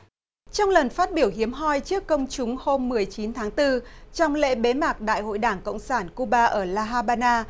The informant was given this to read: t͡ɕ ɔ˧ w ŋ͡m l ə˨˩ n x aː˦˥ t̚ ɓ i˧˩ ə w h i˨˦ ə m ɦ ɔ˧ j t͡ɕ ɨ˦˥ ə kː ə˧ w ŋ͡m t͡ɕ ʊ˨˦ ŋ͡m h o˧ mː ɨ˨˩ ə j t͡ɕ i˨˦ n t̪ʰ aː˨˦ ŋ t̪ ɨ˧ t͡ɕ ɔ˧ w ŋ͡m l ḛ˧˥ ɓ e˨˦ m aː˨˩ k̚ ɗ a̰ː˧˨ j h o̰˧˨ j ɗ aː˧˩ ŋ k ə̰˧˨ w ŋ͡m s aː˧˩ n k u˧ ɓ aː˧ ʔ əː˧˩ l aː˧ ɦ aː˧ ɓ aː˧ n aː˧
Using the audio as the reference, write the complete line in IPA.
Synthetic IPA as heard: t͡ɕ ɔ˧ w ŋ͡m l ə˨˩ n f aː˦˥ t̚ ɓ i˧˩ ə w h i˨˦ ə m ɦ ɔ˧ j t͡ɕ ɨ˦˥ ə kː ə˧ w ŋ͡m t͡ɕ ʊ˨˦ ŋ͡m h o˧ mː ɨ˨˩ ə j t͡ɕ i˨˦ n t̪ʰ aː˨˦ ŋ t̪ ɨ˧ t͡ɕ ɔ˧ w ŋ͡m l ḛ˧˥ ɓ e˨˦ m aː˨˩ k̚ ɗ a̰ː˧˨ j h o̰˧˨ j ɗ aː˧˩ ŋ k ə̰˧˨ w ŋ͡m s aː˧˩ n k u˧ ɓ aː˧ ʔ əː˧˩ l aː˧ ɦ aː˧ ɓ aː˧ n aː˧